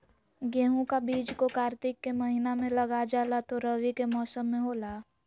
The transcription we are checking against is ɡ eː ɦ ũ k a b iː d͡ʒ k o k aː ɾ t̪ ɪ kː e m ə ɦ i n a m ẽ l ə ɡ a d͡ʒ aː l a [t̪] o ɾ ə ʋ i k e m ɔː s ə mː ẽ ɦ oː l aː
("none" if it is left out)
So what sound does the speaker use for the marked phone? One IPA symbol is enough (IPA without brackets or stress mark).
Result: t̪